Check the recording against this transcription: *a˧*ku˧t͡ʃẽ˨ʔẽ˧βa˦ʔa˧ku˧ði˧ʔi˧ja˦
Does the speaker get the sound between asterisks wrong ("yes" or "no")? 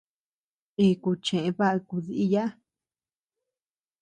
yes